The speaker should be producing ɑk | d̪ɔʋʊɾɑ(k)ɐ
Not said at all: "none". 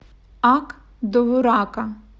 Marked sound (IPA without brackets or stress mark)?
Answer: k